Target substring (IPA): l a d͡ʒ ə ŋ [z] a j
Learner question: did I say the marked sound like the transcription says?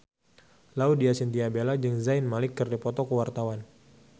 yes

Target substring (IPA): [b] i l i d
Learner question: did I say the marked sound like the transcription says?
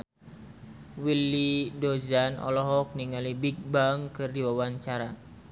no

